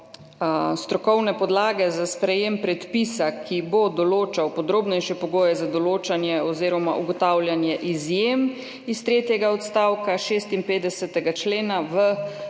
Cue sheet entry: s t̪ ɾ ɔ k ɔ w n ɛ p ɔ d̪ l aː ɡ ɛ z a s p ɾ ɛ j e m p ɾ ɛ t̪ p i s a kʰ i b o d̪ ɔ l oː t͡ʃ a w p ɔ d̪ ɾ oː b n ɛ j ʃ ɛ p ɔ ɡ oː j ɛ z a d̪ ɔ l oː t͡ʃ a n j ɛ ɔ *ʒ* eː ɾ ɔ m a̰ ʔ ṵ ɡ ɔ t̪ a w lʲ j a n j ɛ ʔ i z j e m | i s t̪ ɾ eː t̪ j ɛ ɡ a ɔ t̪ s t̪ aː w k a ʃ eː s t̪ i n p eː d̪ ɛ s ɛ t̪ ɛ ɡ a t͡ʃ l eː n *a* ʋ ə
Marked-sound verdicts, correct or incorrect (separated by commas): incorrect, correct